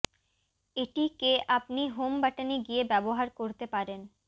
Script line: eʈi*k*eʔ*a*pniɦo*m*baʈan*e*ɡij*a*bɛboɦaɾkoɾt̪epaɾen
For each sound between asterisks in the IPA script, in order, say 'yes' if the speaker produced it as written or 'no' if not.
yes, yes, yes, no, no

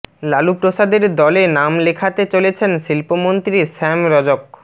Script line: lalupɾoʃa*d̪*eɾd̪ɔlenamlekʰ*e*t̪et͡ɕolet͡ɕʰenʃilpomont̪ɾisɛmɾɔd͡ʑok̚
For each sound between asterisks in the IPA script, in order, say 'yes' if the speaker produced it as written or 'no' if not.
yes, no

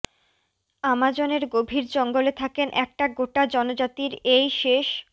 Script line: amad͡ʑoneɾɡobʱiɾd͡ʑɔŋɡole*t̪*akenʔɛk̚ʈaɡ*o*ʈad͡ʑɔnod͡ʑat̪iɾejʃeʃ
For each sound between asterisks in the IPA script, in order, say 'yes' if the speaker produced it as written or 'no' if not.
no, yes

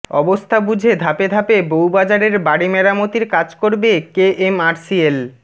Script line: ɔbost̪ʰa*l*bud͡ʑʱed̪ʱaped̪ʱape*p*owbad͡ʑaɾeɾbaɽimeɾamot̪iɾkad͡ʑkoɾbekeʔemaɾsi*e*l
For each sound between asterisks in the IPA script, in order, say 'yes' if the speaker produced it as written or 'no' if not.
no, no, yes

